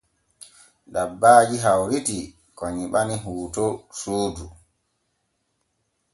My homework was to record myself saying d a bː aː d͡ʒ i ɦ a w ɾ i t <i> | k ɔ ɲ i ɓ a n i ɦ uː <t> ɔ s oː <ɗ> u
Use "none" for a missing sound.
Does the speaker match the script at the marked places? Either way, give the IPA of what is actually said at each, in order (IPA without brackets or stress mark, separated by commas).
i, t, d